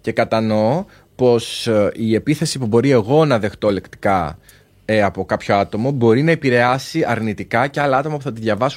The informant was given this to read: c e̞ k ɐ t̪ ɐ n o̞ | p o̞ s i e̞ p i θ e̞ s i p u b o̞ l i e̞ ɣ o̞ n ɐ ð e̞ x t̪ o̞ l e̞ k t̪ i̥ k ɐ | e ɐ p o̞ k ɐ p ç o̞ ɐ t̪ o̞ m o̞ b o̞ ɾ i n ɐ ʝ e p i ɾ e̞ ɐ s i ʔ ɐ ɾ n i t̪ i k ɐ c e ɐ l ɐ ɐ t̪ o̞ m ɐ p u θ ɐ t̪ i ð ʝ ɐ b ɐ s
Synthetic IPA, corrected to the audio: c e̞ k ɐ t̪ ɐ n o̞ | p o̞ s i e̞ p i θ e̞ s i p u b o̞ ɾ i e̞ ɣ o̞ n ɐ ð e̞ x t̪ o̞ l e̞ k t̪ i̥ k ɐ | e ɐ p o̞ k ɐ p ç o̞ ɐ t̪ o̞ m o̞ b o̞ ɾ i n ɐ e p i ɾ e̞ ɐ s i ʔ ɐ ɾ n i t̪ i k ɐ c e ɐ l ɐ ɐ t̪ o̞ m ɐ p u θ ɐ t̪ i ð ʝ ɐ v ɐ s